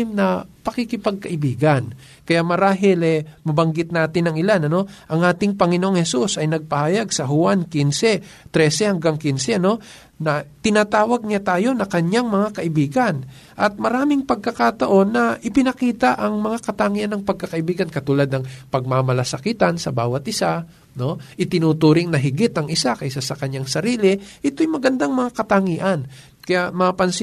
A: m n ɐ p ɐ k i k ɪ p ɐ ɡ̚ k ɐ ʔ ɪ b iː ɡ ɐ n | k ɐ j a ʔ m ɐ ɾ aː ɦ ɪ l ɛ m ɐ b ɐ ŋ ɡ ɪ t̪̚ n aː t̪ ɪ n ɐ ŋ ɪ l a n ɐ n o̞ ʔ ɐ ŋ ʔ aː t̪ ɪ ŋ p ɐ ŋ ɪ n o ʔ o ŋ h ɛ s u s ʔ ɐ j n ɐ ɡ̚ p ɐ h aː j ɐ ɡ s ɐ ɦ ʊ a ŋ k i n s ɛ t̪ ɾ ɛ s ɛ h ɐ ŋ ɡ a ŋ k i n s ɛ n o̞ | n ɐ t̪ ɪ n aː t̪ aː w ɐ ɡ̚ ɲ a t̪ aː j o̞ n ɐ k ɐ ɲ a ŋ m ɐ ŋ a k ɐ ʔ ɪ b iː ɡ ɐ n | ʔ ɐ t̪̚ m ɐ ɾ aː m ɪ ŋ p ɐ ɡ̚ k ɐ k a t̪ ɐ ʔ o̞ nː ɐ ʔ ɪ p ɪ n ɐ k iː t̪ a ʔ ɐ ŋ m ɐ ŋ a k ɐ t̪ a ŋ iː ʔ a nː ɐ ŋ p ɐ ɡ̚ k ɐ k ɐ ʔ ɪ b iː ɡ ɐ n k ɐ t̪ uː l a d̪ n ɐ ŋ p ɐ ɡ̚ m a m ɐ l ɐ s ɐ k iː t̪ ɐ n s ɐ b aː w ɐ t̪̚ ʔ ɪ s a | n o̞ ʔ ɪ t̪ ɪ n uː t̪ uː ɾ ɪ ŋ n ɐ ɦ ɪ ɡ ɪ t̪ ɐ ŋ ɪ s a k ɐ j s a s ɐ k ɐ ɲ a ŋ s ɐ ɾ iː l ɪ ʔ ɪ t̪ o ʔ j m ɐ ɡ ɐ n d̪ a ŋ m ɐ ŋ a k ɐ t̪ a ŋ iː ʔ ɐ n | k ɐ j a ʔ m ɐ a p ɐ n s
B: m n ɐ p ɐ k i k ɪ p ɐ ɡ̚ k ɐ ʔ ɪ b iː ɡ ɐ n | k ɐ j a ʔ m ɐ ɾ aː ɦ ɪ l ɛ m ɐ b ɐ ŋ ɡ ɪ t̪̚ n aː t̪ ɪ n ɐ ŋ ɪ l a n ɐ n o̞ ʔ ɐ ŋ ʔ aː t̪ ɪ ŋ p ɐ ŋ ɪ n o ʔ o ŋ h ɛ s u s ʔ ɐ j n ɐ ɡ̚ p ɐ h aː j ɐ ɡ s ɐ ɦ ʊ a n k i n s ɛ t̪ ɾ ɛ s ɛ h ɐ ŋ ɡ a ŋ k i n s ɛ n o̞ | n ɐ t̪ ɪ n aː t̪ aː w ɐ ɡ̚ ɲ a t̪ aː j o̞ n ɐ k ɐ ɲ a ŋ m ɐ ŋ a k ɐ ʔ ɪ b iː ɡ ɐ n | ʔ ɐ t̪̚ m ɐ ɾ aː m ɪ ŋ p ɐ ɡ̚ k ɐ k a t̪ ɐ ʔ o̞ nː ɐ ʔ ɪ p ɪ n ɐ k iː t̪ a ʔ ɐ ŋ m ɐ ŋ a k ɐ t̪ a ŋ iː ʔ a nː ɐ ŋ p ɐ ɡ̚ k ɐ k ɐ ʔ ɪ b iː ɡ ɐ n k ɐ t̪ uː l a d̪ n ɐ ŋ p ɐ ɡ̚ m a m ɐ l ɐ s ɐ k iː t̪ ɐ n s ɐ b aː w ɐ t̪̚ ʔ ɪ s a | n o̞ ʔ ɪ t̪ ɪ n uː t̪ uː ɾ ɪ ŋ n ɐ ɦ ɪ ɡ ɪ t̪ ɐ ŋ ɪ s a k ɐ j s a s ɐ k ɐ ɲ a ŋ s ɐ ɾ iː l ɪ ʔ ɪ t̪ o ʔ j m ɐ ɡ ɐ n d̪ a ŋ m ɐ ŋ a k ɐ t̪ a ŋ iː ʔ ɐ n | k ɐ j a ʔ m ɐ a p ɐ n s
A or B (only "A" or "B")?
B